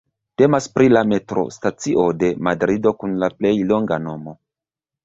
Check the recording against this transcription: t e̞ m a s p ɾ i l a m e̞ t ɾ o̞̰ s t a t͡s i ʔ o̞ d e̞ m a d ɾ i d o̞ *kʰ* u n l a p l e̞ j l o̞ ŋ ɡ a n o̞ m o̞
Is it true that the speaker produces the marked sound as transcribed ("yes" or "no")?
no